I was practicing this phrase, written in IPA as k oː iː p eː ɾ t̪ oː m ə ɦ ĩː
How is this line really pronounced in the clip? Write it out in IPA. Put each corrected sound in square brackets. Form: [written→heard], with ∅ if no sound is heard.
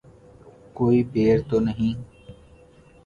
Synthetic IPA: k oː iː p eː ɾ t̪ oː [m→n] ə ɦ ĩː